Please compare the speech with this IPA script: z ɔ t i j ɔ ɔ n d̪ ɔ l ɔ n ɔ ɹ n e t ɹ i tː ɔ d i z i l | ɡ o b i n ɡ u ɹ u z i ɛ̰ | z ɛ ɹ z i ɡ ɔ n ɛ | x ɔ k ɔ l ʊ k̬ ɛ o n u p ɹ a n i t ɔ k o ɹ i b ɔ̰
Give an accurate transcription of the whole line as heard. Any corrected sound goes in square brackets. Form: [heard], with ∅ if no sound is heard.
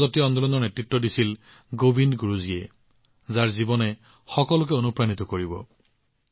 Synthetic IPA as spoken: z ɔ t i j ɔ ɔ n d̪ ɔ l ɔ n ɔ ɹ n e t ɹ i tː ɔ d i [s] i l | ɡ o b i n ɡ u ɹ u z i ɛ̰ | z [a] ɹ z i [b] ɔ n ɛ | x ɔ k ɔ l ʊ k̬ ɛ o n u p ɹ a n i t ɔ k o ɹ i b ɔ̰